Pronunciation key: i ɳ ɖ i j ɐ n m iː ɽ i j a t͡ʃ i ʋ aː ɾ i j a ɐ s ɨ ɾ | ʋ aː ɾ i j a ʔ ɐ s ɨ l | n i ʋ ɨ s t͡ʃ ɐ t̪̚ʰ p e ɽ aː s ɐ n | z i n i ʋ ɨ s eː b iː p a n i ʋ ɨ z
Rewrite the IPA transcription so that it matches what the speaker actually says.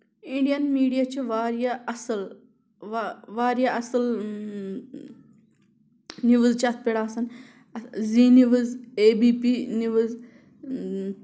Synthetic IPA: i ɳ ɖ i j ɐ n m iː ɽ i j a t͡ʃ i ʋ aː ɾ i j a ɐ s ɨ l | ʋ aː ɾ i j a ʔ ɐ s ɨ l | n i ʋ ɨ z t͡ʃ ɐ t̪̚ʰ p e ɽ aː s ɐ n | z i n i ʋ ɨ z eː b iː p i n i ʋ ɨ z

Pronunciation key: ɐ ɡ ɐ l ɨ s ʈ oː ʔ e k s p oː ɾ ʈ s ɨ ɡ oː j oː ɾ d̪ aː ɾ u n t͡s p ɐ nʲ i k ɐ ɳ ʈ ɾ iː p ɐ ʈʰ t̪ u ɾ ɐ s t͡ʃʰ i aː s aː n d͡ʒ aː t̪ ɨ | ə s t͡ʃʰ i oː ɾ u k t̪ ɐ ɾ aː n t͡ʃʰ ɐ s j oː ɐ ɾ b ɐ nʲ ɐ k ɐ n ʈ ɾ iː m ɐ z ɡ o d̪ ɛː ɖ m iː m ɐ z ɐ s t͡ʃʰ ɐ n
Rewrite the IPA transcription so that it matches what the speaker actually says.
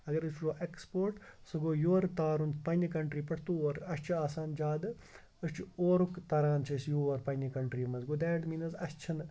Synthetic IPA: ɐ ɡ ɐ ɾ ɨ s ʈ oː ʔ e k s p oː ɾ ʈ s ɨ ɡ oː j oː ɾ t̪ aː ɾ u n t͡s p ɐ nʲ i k ɐ ɳ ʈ ɾ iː p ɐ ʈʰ t̪ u ɾ ɐ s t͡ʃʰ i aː s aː n d͡ʒ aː d̪ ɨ | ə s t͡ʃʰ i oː ɾ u k t̪ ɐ ɾ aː n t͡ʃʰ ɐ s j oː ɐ ɾ p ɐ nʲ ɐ k ɐ ɳ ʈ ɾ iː m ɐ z ɡ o d̪ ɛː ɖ m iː n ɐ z ɐ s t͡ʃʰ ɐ n

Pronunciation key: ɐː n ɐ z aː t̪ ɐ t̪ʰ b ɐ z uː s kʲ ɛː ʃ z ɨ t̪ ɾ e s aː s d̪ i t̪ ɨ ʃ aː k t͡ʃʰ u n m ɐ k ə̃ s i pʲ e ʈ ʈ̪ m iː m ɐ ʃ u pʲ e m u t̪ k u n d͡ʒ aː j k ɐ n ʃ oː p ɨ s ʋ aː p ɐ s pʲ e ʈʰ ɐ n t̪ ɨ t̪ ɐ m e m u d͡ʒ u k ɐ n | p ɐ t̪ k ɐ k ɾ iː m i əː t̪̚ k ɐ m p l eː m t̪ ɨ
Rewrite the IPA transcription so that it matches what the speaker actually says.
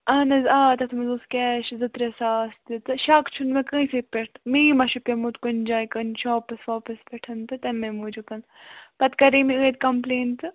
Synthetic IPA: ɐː n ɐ z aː t̪ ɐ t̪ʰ m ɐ z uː s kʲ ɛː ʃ z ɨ t̪ ɾ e s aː s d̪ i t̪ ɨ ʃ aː k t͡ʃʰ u n m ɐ k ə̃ s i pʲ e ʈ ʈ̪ m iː m ɐ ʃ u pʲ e m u t̪ k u n d͡ʒ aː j k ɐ n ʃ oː p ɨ s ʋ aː p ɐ s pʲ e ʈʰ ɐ n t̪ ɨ t̪ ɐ m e m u d͡ʒ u k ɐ n | p ɐ t̪ k ɐ ɾ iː m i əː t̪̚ k ɐ m p l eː n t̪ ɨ

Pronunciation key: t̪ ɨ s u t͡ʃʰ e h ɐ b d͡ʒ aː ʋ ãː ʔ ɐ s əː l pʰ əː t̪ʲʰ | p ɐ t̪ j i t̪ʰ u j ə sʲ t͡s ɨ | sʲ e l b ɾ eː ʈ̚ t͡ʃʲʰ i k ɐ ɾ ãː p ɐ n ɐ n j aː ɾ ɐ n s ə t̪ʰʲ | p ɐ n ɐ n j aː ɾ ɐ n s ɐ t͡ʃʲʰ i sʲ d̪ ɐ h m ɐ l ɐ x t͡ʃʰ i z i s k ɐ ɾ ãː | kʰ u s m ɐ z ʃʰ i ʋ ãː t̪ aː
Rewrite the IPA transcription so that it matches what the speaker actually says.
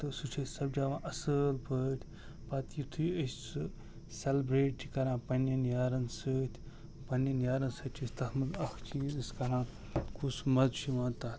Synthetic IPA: t̪ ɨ s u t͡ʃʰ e s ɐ b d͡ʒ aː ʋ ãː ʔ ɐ s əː l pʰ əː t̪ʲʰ | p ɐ t̪ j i t̪ʰ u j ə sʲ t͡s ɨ | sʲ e l b ɾ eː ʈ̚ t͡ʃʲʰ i k ɐ ɾ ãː p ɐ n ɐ n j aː ɾ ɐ n s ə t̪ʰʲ | p ɐ n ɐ n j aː ɾ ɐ n s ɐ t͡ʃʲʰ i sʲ t̪ ɐ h m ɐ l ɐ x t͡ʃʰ i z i s k ɐ ɾ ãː | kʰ u s m ɐ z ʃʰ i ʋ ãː t̪ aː

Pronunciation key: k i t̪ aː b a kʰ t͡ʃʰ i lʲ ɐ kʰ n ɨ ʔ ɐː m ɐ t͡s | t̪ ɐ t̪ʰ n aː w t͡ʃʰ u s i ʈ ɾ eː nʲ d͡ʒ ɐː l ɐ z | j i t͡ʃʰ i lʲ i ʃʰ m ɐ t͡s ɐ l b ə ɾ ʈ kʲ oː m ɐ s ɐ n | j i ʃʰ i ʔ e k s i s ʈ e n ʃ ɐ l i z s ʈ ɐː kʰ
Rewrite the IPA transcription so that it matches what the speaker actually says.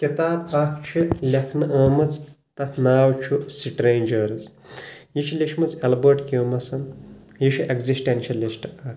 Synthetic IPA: k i t̪ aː b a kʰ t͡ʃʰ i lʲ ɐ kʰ n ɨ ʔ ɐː m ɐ t͡s | t̪ ɐ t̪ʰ n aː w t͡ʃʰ u s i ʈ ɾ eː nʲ d͡ʒ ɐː ɾ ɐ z | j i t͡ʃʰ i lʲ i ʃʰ m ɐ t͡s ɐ l b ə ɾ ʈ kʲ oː m ɐ s ɐ n | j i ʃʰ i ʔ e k z i s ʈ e n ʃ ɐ l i s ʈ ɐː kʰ

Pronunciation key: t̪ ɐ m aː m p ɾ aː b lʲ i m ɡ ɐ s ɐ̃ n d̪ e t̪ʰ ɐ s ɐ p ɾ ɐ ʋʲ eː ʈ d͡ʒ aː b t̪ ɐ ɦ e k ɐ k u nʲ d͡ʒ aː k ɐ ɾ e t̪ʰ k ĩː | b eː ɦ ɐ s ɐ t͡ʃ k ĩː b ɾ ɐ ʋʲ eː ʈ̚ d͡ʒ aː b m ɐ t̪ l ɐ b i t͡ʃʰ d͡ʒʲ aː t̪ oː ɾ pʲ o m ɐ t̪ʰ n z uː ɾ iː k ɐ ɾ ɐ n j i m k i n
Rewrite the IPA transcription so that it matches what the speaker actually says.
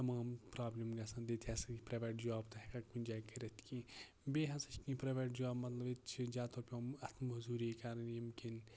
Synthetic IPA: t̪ ɐ m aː m p ɾ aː b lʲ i m ɡ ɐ s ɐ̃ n d̪ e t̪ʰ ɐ s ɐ p ɾ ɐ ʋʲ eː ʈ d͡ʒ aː b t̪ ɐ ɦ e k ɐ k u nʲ d͡ʒ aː k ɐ ɾ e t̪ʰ k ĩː | b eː ɦ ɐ s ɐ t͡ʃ k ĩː p ɾ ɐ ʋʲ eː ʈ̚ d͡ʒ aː b m ɐ t̪ l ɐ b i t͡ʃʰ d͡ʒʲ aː t̪ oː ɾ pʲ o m ɐ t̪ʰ m z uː ɾ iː k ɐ ɾ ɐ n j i m k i n

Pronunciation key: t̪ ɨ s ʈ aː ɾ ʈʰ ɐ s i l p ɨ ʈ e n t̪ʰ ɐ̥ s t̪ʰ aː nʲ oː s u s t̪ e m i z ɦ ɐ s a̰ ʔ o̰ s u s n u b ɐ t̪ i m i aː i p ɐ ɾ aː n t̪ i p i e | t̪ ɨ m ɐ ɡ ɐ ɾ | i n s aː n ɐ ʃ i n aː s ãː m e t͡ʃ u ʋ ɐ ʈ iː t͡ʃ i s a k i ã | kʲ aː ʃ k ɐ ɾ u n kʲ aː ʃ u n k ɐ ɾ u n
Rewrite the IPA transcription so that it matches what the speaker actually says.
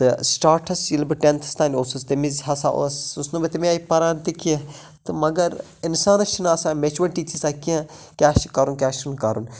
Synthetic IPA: t̪ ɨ s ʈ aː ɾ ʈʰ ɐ s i l b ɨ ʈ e n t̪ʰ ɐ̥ s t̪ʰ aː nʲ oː s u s t̪ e m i z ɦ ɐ s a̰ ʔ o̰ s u s n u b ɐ t̪ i m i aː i p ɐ ɾ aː n t̪ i k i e | t̪ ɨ m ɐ ɡ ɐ ɾ | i n s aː n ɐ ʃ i n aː s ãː m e t͡ʃ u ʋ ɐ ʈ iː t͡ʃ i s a k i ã | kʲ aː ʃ k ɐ ɾ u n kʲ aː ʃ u n k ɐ ɾ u n

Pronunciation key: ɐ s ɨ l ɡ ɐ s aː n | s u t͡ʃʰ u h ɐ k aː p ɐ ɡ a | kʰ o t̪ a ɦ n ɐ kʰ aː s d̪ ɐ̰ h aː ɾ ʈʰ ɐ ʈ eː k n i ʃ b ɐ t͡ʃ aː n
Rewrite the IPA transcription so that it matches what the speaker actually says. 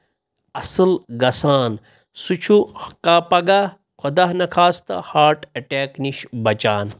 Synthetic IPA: ɐ s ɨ l ɡ ɐ s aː n | s u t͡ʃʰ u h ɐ k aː p ɐ ɡ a | kʰ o d̪ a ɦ n ɐ kʰ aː s t̪ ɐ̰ h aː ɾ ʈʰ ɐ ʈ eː k n i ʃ b ɐ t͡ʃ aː n

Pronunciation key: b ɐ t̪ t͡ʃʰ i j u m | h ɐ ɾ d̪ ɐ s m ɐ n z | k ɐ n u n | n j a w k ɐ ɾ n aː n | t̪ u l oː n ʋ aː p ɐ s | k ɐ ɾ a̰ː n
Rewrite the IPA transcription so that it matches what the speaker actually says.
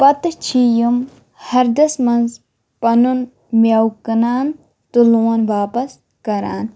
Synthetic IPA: p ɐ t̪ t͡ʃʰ i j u m | h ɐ ɾ d̪ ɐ s m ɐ n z | p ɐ n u n | m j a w k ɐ n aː n | t̪ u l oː n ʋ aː p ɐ s | k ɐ ɾ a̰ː n

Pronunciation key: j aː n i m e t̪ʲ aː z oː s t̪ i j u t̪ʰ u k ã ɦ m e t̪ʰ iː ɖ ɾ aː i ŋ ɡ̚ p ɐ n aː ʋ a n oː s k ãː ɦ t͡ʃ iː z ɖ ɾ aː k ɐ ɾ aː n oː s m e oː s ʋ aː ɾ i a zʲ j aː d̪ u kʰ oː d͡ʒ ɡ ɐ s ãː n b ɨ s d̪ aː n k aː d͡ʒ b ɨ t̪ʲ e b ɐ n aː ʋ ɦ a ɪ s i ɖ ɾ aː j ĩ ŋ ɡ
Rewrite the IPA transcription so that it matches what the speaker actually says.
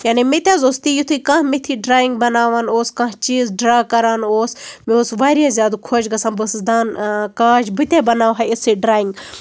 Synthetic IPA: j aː n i m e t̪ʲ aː z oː s t̪ i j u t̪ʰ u k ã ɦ m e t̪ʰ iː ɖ ɾ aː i ŋ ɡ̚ b ɐ n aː ʋ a n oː s k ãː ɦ t͡ʃ iː z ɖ ɾ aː k ɐ ɾ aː n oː s m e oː s ʋ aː ɾ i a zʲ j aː d̪ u kʰ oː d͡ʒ ɡ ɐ s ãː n b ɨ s d̪ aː n k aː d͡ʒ b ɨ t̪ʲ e b ɐ n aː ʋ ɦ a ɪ s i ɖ ɾ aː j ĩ ŋ ɡ

